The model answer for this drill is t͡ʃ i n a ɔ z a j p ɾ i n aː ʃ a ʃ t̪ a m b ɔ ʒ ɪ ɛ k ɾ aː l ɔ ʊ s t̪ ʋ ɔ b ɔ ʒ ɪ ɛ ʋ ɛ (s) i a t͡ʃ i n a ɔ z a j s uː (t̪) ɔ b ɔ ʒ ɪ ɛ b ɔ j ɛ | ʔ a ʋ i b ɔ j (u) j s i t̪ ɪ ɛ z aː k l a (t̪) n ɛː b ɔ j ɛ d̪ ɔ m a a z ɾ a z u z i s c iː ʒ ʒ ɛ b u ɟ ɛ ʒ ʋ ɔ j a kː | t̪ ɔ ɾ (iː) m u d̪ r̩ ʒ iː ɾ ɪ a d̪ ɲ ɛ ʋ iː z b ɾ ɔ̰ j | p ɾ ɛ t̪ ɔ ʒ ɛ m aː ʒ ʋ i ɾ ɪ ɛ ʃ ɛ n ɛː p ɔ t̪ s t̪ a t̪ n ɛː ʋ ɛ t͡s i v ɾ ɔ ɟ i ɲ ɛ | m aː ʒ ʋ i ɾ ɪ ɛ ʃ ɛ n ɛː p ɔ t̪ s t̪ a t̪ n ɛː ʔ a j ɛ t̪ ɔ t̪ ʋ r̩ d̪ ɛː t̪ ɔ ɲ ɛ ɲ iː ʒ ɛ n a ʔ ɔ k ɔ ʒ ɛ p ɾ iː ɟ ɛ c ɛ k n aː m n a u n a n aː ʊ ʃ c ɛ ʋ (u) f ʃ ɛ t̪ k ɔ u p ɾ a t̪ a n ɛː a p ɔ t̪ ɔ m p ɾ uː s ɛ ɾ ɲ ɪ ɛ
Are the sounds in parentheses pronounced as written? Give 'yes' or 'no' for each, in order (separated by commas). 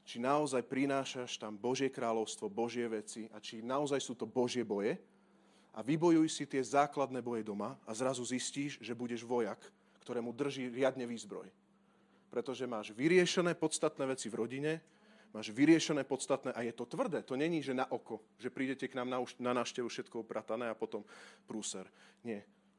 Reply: no, yes, yes, no, no, yes